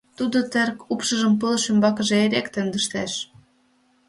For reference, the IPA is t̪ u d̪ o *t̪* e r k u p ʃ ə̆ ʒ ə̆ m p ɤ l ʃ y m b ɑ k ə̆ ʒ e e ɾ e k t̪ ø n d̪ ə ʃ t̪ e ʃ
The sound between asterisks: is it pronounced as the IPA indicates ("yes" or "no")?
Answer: yes